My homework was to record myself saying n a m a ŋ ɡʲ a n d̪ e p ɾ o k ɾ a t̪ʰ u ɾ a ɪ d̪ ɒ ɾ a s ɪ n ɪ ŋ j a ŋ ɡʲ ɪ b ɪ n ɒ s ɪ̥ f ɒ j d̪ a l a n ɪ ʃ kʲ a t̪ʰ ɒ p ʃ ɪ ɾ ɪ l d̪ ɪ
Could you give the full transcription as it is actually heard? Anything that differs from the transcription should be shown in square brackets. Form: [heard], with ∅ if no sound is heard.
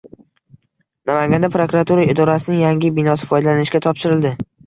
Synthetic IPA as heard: n a m a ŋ ɡʲ a n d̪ [a] p ɾ o k ɾ a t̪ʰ u ɾ a ɪ d̪ ɒ ɾ a s ɪ n ɪ ŋ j a ŋ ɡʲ ɪ b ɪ n ɒ s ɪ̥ f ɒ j d̪ a l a n ɪ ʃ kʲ a t̪ʰ ɒ p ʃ ɪ ɾ ɪ l d̪ ɪ